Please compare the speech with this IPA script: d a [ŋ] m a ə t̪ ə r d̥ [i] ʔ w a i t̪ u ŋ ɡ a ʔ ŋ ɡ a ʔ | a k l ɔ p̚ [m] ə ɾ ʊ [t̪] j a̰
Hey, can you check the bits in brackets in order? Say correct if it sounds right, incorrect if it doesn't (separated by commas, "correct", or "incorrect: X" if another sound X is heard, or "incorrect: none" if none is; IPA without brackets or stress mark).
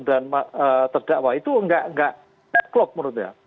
incorrect: n, incorrect: a, correct, correct